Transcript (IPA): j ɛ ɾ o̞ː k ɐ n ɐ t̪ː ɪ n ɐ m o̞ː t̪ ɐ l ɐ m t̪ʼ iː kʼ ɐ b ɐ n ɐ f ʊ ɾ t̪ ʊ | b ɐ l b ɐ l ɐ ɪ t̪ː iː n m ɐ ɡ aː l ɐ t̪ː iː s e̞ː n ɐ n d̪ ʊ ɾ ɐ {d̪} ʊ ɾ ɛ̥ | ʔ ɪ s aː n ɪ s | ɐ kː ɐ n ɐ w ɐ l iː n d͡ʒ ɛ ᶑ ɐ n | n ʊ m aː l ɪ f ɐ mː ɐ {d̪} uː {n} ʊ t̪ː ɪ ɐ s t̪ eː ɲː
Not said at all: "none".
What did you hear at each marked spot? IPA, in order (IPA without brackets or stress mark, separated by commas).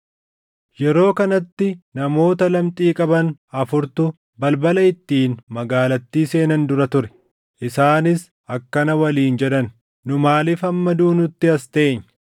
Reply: t̪, d̪, n